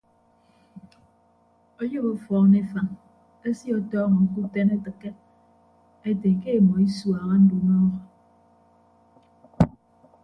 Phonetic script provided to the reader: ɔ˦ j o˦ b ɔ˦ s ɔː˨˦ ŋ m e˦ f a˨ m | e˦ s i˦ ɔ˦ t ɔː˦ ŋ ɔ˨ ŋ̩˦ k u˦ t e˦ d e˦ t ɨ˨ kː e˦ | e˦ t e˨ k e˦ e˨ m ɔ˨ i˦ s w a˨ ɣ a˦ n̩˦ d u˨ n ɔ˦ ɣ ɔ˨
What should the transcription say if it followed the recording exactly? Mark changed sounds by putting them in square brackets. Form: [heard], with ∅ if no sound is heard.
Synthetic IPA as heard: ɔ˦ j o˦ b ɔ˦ [f] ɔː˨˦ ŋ [n] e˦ f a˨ [ŋ] | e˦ s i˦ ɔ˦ t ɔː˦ ŋ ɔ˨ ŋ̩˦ k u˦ t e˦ [n] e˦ t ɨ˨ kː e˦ | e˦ t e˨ k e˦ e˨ m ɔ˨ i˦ s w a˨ ɣ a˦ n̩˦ d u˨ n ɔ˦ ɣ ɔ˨